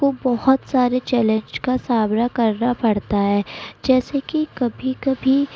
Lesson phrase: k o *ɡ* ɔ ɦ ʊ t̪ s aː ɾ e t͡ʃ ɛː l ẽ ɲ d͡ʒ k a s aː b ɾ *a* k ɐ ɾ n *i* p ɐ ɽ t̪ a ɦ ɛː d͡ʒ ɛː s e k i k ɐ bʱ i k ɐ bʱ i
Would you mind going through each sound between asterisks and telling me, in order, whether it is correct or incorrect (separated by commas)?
incorrect, correct, incorrect